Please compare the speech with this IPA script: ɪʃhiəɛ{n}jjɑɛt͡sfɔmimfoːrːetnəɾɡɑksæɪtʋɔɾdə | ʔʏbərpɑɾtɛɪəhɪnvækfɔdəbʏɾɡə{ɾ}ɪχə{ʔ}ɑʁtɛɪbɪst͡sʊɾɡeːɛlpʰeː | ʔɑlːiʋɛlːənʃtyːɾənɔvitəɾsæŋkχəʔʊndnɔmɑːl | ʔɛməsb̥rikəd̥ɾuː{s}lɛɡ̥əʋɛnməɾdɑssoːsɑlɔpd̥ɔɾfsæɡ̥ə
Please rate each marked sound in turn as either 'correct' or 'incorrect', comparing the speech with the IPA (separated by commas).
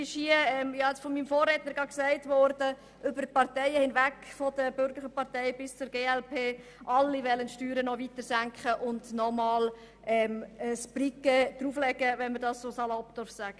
incorrect, incorrect, incorrect, incorrect